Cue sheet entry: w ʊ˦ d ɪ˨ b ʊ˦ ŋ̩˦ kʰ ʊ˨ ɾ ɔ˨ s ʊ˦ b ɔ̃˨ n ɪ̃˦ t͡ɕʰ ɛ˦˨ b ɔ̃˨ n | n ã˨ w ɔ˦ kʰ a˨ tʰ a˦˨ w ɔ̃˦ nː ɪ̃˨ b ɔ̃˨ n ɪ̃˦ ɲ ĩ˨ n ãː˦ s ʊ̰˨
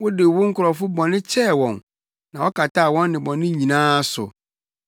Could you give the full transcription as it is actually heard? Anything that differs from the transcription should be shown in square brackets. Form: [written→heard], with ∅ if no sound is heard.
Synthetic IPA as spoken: w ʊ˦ d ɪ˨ [b→w] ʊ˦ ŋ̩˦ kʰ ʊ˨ ɾ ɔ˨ [s→f] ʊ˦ b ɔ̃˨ n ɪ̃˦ t͡ɕʰ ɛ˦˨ [b→w] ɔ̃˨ n | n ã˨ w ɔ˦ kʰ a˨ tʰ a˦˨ w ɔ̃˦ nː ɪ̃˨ b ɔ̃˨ n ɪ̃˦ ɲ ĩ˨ n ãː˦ s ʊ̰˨